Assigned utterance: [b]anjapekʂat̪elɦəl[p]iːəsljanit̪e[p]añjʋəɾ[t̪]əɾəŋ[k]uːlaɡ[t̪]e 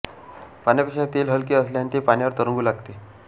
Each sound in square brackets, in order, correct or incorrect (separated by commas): incorrect, incorrect, correct, correct, incorrect, correct